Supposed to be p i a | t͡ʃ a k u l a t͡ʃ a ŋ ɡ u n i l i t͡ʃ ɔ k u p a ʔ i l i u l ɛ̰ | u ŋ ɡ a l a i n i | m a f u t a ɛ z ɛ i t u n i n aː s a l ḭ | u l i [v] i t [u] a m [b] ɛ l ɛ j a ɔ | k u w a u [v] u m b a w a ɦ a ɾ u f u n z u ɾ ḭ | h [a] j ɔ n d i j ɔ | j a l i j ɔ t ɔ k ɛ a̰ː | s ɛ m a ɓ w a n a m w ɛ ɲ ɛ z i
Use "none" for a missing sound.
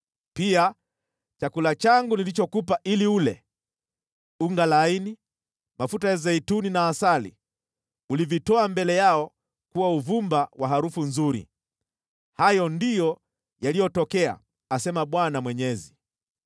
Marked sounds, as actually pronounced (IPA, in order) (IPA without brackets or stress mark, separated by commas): v, ɔ, b, v, a